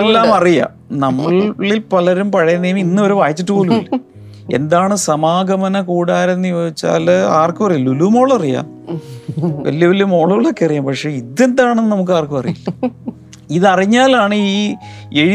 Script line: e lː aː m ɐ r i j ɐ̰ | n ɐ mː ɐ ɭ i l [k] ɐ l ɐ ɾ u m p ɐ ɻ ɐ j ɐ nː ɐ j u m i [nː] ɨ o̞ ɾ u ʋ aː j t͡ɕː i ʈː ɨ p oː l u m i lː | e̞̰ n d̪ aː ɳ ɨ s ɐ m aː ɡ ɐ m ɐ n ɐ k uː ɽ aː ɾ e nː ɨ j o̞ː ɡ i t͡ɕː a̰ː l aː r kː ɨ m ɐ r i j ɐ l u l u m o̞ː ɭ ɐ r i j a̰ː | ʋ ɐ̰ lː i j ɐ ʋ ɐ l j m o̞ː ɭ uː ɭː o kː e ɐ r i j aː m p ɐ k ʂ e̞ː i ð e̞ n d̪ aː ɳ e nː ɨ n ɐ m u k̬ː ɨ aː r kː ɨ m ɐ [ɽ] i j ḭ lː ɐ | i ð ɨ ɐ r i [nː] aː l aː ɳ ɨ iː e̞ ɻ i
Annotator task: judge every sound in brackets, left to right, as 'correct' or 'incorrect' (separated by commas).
incorrect, correct, incorrect, incorrect